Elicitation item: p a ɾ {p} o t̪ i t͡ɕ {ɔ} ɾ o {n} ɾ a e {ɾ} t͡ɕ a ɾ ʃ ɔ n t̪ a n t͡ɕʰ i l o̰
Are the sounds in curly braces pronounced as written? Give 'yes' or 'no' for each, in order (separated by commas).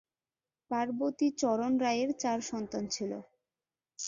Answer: no, yes, yes, yes